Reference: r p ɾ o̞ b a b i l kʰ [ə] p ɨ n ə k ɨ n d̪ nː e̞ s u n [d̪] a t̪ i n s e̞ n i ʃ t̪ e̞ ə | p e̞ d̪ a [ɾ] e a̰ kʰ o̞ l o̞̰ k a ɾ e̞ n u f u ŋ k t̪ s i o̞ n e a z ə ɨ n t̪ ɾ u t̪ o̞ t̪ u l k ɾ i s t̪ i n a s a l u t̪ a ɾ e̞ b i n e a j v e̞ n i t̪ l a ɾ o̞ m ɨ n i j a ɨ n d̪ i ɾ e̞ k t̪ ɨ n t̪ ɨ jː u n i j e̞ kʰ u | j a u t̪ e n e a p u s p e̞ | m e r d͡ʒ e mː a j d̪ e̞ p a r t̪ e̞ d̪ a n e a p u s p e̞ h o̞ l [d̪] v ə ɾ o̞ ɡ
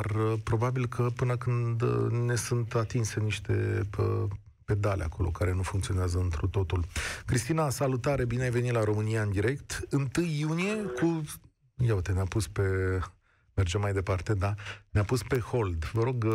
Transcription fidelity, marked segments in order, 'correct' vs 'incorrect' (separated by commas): correct, incorrect, incorrect, correct